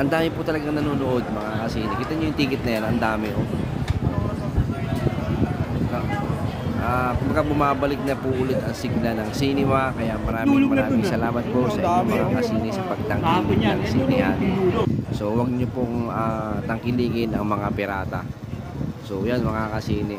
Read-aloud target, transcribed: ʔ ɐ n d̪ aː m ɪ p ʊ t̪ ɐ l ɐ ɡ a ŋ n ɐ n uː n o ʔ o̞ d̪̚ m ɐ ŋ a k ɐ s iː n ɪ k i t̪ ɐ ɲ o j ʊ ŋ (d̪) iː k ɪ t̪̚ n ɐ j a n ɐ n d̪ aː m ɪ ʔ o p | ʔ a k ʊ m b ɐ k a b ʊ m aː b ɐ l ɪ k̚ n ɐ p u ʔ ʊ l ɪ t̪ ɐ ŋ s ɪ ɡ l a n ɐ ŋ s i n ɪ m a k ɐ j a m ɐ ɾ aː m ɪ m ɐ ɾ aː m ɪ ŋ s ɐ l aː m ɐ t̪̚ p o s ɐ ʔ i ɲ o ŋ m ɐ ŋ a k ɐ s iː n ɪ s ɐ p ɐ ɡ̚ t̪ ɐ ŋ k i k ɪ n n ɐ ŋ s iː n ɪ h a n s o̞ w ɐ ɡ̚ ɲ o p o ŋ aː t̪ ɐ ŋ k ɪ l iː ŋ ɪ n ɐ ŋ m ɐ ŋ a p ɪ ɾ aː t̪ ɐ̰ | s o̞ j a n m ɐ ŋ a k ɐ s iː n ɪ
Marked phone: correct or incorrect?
incorrect: t̪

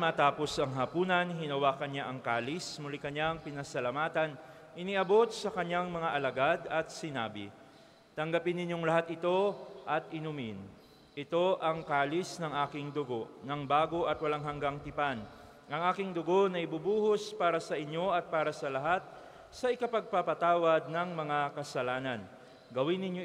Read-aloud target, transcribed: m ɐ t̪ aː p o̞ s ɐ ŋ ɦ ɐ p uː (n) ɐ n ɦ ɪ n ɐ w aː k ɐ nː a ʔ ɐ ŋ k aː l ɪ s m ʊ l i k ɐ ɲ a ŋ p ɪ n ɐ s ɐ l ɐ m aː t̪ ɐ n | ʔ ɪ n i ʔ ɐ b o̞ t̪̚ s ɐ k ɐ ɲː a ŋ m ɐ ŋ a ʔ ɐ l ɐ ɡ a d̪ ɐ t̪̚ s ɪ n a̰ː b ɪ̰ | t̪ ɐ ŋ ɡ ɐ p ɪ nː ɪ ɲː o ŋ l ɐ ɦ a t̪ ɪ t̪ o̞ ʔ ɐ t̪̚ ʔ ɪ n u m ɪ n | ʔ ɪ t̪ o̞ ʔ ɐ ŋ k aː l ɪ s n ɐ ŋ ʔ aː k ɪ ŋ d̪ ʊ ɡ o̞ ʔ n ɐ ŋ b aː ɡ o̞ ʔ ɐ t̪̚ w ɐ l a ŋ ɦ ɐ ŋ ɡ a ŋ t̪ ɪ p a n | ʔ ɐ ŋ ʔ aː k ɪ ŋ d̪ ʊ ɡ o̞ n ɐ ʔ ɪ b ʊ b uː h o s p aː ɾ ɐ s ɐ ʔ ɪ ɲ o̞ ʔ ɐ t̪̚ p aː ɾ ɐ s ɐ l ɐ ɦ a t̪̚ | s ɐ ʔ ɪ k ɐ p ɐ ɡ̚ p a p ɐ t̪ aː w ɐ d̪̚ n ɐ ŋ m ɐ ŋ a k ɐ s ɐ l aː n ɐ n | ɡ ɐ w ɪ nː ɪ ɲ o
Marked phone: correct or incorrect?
correct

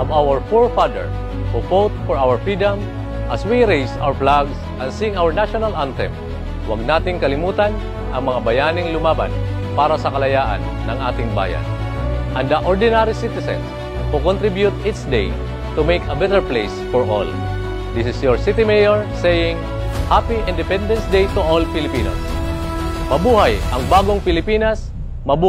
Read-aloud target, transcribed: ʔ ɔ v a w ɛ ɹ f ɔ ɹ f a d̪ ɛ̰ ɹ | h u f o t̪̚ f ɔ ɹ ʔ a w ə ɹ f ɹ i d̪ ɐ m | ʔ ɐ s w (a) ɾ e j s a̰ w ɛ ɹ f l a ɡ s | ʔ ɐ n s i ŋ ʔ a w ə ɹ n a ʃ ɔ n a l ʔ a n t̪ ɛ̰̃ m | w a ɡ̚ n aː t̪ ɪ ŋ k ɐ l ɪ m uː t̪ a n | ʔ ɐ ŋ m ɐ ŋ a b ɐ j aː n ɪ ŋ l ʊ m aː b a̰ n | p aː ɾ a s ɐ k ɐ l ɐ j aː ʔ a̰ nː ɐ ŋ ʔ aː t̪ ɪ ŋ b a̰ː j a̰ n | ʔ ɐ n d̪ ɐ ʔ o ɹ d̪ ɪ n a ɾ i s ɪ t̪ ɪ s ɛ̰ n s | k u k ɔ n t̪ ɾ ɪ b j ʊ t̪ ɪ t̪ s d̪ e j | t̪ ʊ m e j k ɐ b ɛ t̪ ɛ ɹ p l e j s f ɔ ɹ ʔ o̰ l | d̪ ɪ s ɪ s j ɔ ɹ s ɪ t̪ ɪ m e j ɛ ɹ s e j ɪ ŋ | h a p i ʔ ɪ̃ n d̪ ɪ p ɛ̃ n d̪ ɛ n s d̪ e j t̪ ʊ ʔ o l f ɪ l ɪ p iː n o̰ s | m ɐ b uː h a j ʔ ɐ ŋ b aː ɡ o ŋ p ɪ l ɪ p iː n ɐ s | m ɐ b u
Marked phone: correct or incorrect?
incorrect: i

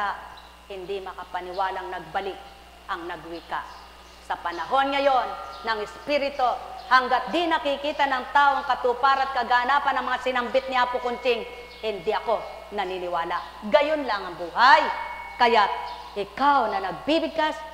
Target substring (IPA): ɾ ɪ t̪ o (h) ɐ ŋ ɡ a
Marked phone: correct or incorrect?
correct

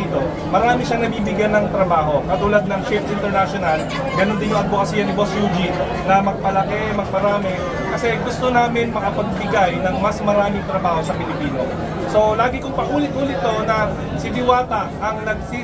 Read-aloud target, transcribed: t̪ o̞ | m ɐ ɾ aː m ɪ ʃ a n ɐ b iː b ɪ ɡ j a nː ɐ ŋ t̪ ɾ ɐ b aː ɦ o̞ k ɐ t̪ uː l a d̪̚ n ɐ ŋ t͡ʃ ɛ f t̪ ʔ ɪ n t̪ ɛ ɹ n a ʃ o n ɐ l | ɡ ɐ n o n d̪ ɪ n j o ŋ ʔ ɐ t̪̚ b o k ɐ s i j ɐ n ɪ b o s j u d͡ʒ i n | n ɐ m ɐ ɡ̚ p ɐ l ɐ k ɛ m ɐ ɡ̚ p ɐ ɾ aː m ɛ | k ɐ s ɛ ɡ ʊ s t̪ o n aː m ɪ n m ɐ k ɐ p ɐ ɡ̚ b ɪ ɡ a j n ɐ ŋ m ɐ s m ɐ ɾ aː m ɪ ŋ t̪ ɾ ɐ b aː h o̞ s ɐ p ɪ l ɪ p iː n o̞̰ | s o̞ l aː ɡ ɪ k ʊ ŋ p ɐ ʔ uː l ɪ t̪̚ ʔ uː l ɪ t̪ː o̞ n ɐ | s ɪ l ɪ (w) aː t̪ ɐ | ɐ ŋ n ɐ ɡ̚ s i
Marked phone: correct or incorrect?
correct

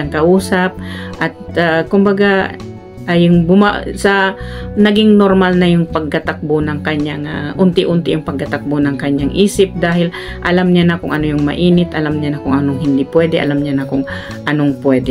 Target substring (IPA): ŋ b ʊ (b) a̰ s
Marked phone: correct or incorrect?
incorrect: m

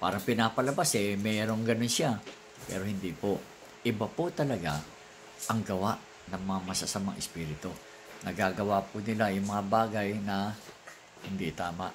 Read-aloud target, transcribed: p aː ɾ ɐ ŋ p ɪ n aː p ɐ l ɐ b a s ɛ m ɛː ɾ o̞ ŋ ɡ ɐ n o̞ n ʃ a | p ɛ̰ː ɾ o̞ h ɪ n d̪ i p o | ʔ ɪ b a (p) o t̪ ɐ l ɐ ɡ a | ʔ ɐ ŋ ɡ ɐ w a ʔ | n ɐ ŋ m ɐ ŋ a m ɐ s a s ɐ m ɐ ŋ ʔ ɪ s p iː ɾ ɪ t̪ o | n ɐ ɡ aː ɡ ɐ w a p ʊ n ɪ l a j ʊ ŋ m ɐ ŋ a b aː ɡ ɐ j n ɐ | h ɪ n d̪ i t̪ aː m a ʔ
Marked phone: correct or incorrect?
correct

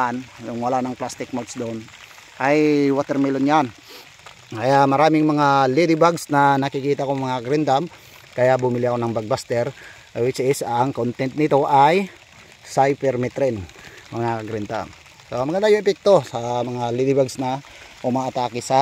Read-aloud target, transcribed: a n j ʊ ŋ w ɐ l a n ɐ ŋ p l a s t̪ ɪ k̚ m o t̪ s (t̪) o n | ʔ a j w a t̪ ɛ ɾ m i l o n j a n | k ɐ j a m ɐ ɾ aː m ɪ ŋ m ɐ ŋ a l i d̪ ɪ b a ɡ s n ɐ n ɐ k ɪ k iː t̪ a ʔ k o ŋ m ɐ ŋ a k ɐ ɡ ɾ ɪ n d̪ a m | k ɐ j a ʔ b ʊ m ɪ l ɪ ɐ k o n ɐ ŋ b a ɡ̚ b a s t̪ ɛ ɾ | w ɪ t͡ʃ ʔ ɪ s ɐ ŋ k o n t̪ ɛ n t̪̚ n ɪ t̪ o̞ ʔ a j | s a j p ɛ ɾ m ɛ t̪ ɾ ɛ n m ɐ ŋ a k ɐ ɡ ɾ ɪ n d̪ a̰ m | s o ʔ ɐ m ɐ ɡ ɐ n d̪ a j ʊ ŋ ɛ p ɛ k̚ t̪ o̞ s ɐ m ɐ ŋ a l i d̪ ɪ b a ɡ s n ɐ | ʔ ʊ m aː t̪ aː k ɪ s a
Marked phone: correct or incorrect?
incorrect: d̪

